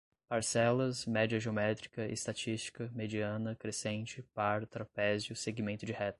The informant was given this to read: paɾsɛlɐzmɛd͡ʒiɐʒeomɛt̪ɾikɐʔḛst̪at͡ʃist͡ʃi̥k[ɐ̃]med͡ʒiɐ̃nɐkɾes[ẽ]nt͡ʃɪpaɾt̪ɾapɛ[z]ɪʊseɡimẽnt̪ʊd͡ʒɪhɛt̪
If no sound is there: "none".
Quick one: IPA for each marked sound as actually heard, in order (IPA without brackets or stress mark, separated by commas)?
ɐ, ẽ, z